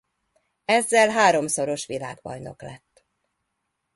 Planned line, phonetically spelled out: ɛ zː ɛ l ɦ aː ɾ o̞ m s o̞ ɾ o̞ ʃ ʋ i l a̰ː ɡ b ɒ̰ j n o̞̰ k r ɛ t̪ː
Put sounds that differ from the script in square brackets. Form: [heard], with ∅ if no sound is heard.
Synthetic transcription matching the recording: ɛ zː ɛ l ɦ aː ɾ o̞ m s o̞ ɾ o̞ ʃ ʋ i l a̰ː ɡ b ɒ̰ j n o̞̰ k [l] ɛ t̪ː